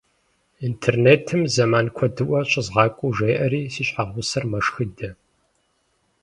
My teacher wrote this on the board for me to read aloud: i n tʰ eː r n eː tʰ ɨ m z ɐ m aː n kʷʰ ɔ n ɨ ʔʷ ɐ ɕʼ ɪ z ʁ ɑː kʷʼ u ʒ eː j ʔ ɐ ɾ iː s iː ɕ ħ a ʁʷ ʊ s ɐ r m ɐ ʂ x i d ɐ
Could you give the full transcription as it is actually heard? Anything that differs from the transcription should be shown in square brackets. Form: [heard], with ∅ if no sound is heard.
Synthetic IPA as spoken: i n tʰ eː r n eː tʰ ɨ m z ɐ m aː n kʷʰ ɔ [d] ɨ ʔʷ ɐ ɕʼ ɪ z ʁ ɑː kʷʼ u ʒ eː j ʔ ɐ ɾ iː s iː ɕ ħ a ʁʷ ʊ s ɐ r m ɐ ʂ x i d ɐ